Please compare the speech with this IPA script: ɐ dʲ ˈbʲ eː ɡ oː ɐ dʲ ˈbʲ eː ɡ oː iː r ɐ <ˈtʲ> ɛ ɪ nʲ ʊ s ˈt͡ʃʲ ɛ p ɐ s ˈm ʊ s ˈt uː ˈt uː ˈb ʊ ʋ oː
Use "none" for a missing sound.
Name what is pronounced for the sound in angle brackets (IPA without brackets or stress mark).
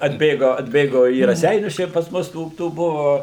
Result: sʲ